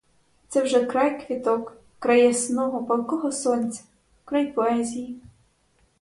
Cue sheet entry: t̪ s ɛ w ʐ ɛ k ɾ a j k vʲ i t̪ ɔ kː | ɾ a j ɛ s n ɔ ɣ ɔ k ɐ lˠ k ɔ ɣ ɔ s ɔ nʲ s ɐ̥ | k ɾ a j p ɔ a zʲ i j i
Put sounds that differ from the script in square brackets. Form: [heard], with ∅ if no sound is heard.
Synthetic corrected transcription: t̪ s ɛ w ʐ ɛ k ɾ a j k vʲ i t̪ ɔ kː | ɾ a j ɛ s n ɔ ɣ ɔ [p] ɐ lˠ k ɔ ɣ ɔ s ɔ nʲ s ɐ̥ | k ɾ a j p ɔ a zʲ i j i